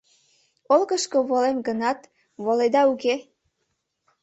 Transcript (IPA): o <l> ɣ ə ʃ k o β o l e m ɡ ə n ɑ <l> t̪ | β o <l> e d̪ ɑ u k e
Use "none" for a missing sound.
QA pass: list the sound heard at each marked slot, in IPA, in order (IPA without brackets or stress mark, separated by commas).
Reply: l, none, l